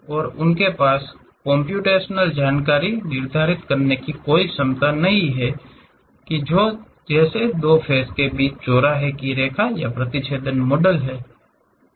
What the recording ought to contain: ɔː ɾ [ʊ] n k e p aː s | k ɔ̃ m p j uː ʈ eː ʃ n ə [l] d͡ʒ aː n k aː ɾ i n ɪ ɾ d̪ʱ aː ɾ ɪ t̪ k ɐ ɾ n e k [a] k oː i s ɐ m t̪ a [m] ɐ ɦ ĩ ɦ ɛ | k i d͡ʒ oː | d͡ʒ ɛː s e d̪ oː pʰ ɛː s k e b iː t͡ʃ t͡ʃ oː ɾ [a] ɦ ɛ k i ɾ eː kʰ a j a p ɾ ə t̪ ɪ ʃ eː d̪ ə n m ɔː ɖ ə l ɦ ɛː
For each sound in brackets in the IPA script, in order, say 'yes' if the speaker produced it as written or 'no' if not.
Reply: yes, yes, no, no, yes

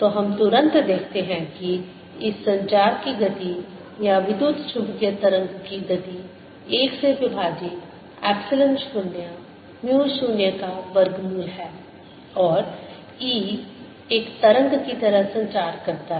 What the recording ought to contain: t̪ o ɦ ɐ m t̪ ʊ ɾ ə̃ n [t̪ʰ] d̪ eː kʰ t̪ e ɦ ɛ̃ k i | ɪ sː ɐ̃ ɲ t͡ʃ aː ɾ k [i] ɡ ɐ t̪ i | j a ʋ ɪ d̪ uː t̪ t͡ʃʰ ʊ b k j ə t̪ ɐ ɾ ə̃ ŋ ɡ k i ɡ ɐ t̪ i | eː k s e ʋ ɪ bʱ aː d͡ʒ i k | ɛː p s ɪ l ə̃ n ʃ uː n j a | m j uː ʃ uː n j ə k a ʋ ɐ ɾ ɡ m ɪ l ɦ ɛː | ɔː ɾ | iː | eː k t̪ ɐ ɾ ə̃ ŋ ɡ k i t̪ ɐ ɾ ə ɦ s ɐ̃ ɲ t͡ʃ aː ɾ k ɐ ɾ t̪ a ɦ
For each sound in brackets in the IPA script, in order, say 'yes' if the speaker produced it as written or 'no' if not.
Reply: no, yes

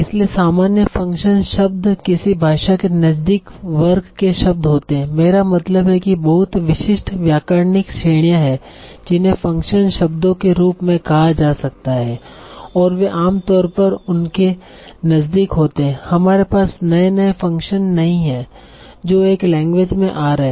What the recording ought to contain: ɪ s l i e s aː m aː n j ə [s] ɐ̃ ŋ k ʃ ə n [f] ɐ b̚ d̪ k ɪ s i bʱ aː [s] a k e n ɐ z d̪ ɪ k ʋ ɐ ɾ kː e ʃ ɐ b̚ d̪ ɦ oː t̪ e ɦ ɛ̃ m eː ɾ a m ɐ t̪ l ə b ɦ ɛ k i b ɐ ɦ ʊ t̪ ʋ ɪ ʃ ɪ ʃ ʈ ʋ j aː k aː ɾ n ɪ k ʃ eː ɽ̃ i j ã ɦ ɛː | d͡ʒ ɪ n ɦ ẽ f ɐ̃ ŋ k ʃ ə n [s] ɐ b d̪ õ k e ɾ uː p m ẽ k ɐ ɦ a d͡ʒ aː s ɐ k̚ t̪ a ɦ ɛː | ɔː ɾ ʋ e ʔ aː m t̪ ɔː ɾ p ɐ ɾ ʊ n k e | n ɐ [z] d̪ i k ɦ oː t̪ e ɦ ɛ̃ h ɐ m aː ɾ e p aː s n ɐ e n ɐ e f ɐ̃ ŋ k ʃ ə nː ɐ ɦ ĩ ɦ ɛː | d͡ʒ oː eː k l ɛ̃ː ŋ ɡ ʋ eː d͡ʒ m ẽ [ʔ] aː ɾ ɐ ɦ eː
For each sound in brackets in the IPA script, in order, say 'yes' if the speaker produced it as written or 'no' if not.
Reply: no, no, no, no, yes, yes

